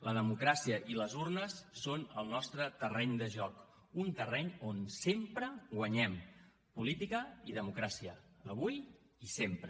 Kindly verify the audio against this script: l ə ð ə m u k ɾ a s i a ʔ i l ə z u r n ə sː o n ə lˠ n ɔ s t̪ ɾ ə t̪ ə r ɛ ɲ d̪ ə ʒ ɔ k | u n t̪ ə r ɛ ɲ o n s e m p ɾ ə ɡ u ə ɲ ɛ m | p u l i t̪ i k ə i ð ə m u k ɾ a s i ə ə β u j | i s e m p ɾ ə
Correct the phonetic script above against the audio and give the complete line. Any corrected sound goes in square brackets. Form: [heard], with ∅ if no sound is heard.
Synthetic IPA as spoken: l ə ð ə m u k ɾ a s i [ə] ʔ i l ə z u r n ə sː o n ə lˠ n ɔ s t̪ ɾ ə t̪ ə r ɛ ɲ d̪ ə ʒ ɔ k | u n t̪ ə r ɛ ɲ o n s e m p ɾ ə ɡ [w] ə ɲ ɛ m | p u l i t̪ i k ə i ð ə m u k ɾ a s i ə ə β u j | i s e m p ɾ ə